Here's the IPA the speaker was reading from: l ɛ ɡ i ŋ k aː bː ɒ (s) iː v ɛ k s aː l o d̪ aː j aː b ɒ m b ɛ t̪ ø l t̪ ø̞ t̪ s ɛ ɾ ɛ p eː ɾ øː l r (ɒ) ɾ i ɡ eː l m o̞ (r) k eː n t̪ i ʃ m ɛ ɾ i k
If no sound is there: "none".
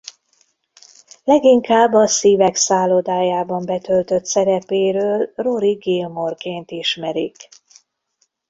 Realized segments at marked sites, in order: s, o, r

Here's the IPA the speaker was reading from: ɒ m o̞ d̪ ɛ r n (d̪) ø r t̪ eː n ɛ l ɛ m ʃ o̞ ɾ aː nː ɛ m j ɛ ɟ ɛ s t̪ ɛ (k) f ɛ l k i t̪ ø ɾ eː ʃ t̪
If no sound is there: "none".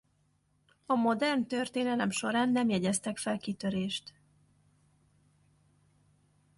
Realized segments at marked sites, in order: t̪, k

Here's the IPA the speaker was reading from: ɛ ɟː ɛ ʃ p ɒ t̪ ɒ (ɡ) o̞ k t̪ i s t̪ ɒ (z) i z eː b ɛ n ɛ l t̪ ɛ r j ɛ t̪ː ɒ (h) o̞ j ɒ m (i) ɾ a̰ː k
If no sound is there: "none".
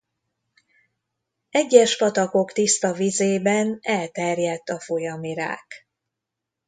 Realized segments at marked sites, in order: k, v, f, i

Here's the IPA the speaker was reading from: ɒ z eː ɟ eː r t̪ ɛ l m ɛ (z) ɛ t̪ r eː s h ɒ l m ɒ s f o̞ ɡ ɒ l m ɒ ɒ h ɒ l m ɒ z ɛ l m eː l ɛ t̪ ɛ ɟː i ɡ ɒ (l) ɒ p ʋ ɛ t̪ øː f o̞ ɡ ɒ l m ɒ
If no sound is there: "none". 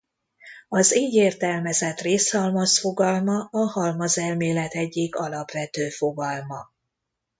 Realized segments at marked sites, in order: z, l

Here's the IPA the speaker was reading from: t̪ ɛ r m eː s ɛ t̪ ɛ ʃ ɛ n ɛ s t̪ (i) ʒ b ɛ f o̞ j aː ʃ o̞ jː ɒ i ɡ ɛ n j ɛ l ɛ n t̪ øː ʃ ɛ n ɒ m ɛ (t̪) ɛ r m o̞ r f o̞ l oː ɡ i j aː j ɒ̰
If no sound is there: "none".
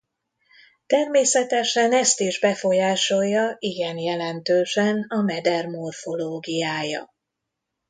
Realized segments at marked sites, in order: i, d̪

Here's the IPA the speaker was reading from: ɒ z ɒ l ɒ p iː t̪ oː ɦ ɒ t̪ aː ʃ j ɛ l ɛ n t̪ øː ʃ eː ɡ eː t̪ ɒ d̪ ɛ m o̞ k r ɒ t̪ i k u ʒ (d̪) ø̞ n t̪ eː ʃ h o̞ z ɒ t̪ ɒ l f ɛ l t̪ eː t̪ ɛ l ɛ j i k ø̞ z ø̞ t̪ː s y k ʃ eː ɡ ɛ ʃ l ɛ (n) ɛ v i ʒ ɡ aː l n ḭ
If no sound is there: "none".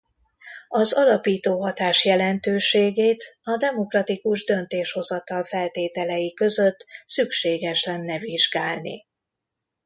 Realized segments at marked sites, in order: d̪, nː

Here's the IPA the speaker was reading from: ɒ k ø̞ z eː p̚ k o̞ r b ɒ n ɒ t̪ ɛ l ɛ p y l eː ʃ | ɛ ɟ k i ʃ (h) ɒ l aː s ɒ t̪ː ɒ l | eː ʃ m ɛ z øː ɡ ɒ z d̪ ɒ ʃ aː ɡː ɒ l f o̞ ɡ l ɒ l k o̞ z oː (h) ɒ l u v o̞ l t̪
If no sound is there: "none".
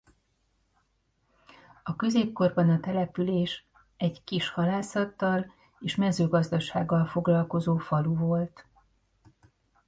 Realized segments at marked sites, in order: h, f

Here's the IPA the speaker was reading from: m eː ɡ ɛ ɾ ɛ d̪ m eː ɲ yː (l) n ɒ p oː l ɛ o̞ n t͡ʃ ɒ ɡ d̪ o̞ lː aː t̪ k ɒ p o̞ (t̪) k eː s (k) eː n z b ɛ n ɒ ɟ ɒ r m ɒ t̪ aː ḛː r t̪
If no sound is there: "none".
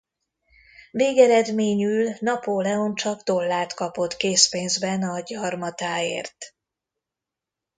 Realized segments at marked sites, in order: l, t̪, p

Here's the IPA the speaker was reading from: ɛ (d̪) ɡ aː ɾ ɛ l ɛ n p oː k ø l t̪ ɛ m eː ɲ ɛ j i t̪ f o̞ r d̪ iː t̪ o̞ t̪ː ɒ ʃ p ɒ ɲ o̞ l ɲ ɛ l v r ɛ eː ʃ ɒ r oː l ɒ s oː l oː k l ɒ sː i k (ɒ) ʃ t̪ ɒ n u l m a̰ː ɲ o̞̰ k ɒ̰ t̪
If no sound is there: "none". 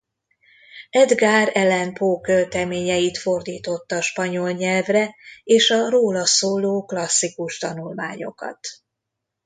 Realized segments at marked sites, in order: d̪, u

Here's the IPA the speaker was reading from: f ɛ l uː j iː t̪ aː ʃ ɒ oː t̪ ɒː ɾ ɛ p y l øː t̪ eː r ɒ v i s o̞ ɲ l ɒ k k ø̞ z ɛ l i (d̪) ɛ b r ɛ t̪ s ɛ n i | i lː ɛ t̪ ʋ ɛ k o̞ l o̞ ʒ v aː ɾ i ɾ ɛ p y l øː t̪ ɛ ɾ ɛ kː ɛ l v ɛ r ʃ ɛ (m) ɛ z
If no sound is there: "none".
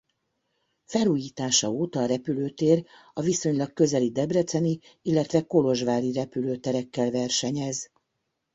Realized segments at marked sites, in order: d̪, ɲ

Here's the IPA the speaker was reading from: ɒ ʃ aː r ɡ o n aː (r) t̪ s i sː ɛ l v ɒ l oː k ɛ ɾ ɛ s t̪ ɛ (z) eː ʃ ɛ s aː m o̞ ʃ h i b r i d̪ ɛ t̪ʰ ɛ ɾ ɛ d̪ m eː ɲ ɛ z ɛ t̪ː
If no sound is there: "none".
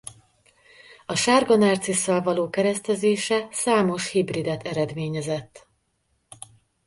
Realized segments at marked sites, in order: r, z

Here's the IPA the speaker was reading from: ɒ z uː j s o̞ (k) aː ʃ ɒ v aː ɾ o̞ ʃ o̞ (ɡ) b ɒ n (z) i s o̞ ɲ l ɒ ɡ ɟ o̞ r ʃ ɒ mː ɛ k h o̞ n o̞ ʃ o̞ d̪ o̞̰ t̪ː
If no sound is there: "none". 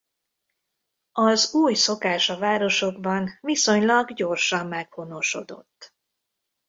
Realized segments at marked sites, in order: k, ɡ, v

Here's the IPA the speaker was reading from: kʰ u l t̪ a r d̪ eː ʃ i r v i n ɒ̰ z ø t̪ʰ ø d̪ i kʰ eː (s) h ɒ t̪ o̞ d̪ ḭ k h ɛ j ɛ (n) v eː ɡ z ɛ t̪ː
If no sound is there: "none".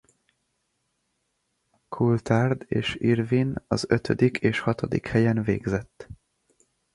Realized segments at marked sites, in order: ʃ, n

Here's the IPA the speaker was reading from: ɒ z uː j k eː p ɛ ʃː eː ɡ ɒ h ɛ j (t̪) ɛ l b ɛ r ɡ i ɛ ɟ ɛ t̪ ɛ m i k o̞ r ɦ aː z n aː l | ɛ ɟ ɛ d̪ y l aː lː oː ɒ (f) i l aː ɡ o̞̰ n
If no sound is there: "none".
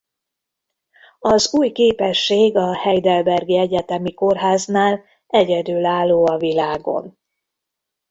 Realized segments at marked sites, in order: d̪, v

